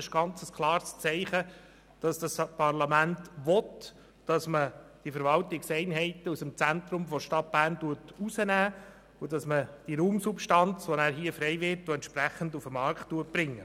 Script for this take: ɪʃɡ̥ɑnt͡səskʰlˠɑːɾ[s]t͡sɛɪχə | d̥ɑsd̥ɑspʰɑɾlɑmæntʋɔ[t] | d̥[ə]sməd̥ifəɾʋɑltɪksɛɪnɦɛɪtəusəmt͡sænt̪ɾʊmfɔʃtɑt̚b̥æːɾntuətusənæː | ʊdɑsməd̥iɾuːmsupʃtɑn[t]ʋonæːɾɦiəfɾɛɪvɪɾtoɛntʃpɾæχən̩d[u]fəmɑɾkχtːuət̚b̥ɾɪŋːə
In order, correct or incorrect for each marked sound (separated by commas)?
correct, correct, incorrect, incorrect, correct